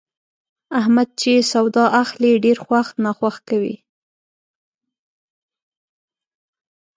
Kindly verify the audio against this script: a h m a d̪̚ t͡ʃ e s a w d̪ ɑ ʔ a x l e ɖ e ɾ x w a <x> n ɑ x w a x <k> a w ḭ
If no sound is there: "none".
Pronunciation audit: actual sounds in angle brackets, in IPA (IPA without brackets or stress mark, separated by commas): x, k